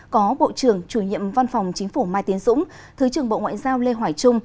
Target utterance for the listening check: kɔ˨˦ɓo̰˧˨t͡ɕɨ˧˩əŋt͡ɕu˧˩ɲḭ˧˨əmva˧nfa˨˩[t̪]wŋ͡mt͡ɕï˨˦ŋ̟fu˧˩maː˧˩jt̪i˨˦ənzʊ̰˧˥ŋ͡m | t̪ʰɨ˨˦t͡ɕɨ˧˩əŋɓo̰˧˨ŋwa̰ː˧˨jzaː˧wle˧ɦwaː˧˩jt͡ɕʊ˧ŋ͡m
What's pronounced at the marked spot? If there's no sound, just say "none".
none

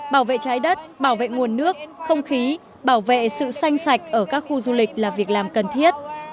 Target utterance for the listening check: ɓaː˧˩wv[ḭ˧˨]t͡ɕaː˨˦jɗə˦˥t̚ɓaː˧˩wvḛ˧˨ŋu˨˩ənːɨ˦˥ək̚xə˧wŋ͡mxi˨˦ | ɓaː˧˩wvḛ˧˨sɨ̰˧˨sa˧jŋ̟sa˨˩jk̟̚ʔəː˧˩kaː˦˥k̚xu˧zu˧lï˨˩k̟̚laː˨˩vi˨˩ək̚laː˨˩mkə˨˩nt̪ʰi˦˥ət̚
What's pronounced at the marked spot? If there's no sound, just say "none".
ḛ˧˨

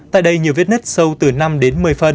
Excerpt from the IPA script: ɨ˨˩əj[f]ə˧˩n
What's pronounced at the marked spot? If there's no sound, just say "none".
f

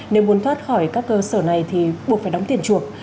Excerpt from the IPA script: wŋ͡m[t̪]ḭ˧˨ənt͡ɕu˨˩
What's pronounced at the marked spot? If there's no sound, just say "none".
t̪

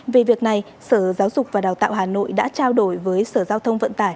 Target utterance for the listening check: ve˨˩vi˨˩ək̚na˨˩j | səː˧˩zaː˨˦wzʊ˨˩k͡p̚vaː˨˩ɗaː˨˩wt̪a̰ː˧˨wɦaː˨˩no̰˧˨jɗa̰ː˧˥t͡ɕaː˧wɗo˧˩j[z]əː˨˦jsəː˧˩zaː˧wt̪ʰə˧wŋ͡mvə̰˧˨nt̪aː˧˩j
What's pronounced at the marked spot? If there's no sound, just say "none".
v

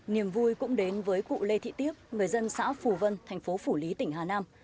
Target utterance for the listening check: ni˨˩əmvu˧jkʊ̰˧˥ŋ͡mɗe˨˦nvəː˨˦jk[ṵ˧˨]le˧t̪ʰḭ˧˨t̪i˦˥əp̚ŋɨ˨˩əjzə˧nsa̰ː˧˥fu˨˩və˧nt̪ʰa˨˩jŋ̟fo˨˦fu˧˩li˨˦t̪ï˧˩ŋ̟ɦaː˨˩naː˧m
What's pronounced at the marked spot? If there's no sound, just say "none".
ṵ˧˨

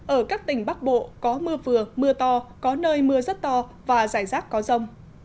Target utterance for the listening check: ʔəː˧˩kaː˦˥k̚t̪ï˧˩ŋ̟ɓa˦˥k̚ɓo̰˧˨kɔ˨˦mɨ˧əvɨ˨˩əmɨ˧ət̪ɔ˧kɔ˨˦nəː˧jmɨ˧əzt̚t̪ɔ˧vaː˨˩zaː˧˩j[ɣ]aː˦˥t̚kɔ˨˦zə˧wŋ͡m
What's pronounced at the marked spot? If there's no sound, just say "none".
z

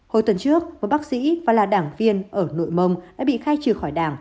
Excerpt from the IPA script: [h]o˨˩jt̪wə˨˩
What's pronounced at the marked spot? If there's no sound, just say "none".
h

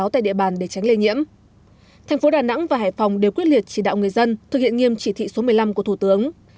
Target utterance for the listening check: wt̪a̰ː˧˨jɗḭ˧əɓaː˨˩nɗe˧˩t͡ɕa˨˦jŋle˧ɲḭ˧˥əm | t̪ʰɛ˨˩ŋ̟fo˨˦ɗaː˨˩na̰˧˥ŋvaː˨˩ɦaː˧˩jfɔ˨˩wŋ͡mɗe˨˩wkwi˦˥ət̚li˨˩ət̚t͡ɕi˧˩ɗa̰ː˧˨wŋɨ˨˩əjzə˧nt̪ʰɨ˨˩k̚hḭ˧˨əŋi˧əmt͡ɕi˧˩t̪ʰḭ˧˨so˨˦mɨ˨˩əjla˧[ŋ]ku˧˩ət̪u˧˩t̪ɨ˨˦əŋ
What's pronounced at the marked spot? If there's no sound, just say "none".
m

